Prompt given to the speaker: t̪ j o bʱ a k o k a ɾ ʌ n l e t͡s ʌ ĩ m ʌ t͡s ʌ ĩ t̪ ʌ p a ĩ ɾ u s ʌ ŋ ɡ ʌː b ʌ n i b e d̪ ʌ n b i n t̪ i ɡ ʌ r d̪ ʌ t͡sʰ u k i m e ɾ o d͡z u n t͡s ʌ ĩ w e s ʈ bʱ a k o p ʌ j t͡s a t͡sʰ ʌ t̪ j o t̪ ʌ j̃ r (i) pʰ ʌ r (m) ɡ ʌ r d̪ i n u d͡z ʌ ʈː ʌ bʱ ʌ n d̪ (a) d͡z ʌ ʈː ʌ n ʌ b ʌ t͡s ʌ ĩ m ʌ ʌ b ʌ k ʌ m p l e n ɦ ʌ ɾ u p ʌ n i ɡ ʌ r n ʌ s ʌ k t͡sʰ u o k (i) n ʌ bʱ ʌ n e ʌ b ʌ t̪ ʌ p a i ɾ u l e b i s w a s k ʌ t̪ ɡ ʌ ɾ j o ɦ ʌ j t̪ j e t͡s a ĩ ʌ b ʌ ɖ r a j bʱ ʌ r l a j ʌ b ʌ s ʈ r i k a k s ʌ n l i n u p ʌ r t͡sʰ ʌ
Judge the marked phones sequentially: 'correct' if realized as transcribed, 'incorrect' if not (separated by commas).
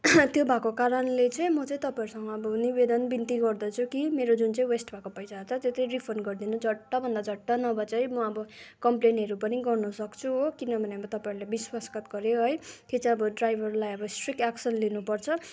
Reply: correct, incorrect, correct, correct